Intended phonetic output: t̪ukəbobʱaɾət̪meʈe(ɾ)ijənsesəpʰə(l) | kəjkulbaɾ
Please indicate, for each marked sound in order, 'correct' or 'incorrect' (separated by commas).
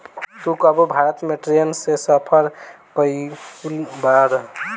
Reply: correct, incorrect